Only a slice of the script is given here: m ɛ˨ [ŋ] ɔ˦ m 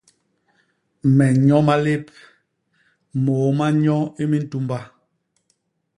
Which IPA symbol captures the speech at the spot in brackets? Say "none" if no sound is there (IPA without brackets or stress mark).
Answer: ɲ